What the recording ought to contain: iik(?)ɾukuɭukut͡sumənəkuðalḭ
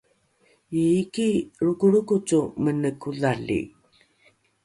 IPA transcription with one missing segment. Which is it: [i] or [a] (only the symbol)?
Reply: i